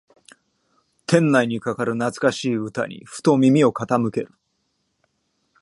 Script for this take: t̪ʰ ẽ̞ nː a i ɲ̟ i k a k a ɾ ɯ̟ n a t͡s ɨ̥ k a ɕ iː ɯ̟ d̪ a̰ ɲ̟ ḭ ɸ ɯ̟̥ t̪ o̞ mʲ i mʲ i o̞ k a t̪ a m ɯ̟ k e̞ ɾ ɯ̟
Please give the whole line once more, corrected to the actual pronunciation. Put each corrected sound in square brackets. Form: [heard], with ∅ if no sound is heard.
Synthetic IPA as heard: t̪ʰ ẽ̞ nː a i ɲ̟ i k a k a ɾ ɯ̟ n a t͡s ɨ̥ k a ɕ iː ɯ̟ [t̪] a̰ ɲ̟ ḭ ɸ ɯ̟̥ t̪ o̞ mʲ i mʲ i o̞ k a t̪ a m ɯ̟ k e̞ ɾ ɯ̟